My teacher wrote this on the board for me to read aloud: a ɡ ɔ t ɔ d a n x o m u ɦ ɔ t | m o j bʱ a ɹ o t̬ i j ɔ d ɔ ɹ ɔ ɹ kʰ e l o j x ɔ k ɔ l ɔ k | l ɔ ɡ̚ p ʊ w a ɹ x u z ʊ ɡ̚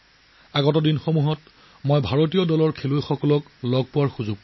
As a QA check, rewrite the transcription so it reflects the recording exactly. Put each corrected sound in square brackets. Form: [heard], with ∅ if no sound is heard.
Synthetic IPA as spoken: a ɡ ɔ t ɔ d [i] n x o m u ɦ ɔ t | m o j bʱ a ɹ o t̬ i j ɔ d ɔ [l] ɔ ɹ kʰ e l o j x ɔ k ɔ l ɔ k | l ɔ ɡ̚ p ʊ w a ɹ x u z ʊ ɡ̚